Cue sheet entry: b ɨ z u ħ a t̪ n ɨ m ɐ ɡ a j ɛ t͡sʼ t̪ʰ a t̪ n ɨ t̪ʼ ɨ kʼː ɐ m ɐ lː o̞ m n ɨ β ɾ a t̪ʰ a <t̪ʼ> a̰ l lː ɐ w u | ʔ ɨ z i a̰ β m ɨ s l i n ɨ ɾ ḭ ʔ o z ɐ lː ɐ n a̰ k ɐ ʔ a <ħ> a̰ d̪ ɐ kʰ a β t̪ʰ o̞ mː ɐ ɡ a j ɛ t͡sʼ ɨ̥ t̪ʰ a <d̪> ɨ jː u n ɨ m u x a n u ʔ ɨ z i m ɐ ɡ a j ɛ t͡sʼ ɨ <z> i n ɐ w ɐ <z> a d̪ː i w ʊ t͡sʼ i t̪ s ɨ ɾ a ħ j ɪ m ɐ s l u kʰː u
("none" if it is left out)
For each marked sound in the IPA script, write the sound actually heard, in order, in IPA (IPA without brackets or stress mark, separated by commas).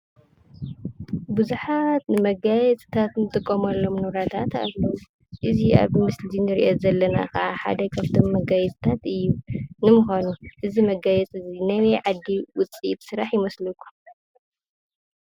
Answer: t̪, ħ, t̪, z, ʕ